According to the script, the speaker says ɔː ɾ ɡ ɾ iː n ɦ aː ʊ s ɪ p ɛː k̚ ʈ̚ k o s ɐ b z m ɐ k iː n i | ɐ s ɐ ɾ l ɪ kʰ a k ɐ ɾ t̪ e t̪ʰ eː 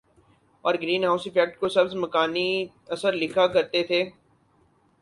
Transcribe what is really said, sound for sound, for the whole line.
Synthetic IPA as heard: ɔː ɾ ɡ ɾ iː n ɦ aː ʊ s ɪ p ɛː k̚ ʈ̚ k o s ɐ b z m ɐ k aː n i | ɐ s ə ɾ l ɪ kʰ a k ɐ ɾ t̪ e t̪ʰ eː